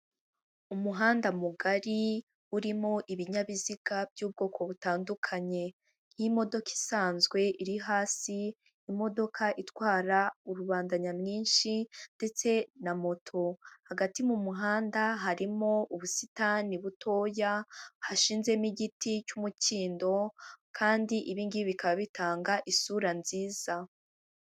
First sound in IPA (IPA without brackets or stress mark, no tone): u